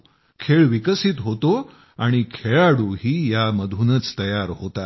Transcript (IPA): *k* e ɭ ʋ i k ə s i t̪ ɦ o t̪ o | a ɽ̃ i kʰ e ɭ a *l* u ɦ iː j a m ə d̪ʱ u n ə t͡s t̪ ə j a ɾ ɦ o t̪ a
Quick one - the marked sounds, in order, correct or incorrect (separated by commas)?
incorrect, incorrect